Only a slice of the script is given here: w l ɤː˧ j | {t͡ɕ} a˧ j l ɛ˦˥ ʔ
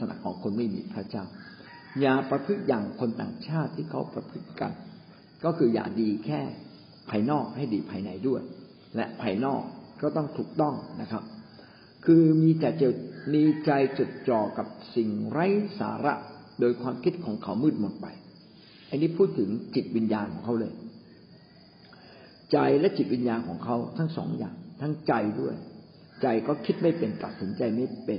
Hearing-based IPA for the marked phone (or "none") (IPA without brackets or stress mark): t͡ɕ